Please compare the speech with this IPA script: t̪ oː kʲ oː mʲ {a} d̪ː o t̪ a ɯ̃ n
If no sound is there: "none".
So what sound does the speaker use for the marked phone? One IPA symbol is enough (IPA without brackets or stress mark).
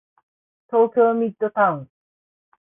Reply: i